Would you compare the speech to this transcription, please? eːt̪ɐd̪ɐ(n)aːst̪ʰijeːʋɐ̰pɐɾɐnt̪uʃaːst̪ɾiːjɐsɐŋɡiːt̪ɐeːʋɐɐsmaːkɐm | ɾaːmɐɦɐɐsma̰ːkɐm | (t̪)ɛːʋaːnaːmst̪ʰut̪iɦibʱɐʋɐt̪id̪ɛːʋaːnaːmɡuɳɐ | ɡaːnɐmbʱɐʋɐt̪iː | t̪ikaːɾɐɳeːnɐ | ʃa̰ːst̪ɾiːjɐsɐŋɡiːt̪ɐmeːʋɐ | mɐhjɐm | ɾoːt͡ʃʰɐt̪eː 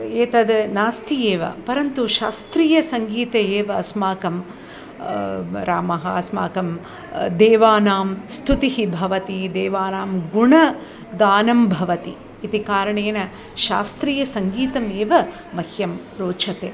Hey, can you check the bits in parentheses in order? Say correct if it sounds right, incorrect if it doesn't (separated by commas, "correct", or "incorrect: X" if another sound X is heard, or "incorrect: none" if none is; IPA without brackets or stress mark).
correct, incorrect: d̪